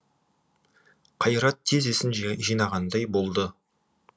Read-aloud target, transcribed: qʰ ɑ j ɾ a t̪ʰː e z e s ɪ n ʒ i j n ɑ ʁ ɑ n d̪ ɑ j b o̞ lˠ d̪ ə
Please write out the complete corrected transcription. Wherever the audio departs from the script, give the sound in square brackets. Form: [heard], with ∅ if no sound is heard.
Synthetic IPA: qʰ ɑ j ɾ [ɑ] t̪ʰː e z e s ɪ n ʒ i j n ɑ ʁ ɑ n d̪ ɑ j b o̞ lˠ d̪ ə